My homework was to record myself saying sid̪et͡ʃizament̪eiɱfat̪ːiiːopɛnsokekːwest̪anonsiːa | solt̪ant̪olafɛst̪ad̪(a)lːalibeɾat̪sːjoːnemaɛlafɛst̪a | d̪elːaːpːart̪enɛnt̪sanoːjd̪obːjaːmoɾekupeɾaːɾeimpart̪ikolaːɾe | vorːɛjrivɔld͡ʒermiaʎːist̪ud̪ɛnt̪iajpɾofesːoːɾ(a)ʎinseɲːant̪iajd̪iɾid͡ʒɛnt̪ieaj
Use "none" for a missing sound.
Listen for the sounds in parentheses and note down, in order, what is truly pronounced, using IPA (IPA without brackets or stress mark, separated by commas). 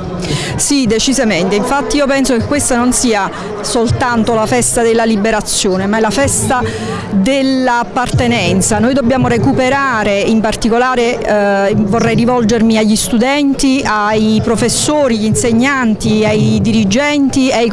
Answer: e, i